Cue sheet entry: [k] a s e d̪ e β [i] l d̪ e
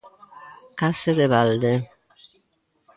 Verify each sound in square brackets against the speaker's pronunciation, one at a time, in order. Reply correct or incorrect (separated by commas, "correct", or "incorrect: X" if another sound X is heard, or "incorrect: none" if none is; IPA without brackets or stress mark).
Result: correct, incorrect: a